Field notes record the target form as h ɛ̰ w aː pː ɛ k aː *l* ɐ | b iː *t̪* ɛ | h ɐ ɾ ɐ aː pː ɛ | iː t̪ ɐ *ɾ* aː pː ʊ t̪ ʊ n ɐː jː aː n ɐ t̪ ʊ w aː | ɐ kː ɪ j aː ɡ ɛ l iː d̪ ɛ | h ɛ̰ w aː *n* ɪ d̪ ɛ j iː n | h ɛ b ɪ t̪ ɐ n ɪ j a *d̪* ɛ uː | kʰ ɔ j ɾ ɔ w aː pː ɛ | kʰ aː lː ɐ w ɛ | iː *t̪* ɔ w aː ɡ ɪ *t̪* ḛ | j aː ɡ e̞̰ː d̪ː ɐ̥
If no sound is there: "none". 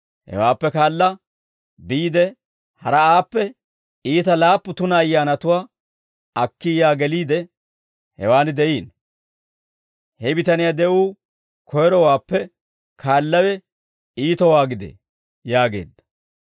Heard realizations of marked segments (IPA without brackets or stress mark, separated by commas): lː, d̪, l, n, d̪, t̪, d̪